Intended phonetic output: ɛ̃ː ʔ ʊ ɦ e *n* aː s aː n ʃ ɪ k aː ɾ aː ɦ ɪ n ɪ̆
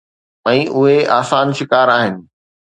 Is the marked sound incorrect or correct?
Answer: incorrect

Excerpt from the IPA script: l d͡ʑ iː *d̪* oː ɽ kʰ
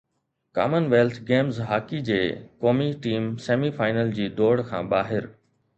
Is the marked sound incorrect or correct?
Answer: correct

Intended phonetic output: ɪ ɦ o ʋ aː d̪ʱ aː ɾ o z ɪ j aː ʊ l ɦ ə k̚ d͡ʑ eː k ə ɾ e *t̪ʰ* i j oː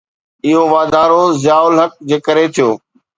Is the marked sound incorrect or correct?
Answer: correct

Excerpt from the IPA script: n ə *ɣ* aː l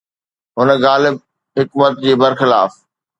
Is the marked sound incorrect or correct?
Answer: correct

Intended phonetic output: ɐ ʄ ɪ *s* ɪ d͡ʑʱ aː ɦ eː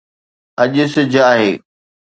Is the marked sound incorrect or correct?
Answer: correct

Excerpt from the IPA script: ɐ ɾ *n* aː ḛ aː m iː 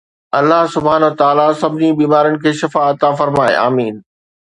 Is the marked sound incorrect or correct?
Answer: incorrect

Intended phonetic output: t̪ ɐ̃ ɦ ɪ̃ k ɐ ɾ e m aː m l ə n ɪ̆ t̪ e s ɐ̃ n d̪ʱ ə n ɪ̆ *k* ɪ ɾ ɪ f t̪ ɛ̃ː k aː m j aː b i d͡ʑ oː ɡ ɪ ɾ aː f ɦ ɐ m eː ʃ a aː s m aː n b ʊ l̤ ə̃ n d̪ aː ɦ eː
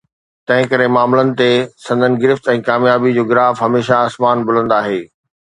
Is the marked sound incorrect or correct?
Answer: incorrect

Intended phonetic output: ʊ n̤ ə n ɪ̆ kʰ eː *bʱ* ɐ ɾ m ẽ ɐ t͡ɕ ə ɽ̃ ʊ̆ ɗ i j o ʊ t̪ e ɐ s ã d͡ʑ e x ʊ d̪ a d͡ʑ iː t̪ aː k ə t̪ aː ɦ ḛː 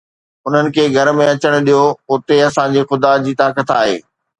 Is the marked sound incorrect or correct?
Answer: incorrect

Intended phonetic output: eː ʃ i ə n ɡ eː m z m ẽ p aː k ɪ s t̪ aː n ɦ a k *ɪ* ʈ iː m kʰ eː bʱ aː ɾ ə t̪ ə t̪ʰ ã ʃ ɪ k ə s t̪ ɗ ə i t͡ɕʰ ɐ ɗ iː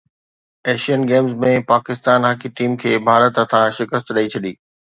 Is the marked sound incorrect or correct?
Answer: incorrect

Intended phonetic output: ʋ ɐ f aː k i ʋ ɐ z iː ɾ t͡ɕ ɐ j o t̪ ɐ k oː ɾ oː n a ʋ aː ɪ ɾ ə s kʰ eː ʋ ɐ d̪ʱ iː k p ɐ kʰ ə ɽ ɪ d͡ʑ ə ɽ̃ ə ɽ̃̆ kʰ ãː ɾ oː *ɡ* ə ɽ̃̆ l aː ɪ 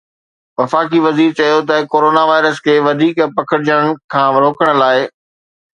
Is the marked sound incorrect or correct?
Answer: incorrect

